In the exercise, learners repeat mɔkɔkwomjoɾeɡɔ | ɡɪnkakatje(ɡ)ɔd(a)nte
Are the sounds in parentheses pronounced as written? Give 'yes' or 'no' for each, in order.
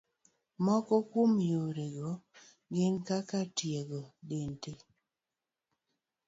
yes, no

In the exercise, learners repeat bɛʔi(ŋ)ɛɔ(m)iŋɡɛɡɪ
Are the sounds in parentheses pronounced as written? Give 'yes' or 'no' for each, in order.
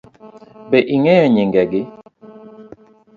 yes, no

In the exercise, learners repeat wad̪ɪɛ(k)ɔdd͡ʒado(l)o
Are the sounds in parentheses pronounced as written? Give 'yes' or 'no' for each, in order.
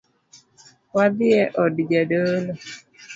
no, yes

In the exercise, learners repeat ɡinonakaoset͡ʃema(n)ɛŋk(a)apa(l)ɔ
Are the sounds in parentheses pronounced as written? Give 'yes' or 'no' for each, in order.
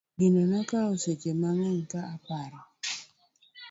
no, yes, no

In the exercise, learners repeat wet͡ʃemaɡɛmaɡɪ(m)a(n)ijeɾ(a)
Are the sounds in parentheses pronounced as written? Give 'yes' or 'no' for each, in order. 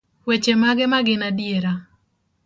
no, no, yes

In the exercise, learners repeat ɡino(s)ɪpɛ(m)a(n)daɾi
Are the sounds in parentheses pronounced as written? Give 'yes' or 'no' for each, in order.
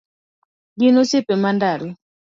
yes, yes, yes

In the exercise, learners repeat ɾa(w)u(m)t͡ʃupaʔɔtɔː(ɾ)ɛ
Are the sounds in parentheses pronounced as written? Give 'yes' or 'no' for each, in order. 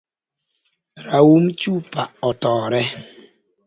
yes, yes, yes

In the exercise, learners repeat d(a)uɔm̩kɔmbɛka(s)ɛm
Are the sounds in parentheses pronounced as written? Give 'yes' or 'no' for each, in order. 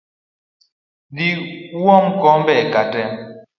no, no

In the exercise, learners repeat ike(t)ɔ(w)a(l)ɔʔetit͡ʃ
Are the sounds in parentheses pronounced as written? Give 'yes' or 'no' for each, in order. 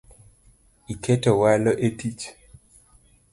yes, yes, yes

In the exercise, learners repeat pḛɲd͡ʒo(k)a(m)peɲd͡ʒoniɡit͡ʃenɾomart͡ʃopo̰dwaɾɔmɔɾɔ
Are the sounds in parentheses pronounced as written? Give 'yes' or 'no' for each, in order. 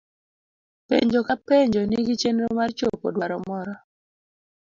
yes, no

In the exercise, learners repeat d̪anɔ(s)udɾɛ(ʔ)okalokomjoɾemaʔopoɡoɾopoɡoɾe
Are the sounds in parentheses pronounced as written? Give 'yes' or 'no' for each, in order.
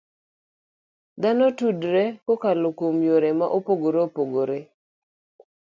no, no

